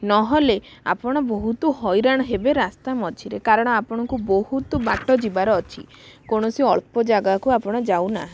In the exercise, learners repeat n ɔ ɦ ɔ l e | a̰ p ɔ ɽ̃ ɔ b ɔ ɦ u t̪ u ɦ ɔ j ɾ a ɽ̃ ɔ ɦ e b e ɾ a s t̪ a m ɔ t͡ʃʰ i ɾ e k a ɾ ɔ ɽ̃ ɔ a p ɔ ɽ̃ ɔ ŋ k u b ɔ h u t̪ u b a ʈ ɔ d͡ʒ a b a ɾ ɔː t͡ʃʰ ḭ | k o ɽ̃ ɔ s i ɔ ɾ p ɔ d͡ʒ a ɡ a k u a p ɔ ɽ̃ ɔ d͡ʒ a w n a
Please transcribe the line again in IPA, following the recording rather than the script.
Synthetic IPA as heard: n ɔ ɦ ɔ l e | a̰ p ɔ ɽ̃ ɔ b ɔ ɦ u t̪ u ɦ ɔ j ɾ a ɽ̃ ɔ ɦ e b e ɾ a s t̪ a m ɔ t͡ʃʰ i ɾ e k a ɾ ɔ ɽ̃ ɔ a p ɔ ɽ̃ ɔ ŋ k u b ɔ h u t̪ u b a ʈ ɔ d͡ʒ i b a ɾ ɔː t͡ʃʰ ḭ | k o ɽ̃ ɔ s i ɔ ɭ p ɔ d͡ʒ a ɡ a k u a p ɔ ɽ̃ ɔ d͡ʒ a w n a